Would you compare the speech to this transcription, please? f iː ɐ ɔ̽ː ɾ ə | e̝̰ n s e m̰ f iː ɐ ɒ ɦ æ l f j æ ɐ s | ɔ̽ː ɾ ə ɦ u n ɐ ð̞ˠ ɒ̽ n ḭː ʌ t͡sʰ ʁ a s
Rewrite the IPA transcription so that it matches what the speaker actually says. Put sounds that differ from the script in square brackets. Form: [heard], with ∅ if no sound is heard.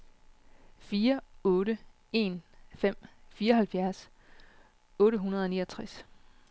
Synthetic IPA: f iː ɐ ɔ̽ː ɾ ə | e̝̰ n [f] e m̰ f iː ɐ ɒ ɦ æ l f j æ ɐ s | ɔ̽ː ɾ ə ɦ u n ɐ ð̞ˠ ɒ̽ n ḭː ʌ t͡sʰ ʁ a s